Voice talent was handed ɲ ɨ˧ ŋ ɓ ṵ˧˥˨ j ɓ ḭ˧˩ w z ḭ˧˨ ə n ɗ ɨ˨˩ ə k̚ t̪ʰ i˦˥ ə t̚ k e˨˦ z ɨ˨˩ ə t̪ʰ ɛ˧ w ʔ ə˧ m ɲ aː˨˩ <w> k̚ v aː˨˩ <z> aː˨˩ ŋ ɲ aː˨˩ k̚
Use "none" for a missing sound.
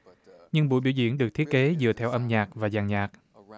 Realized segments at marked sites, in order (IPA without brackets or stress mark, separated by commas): none, z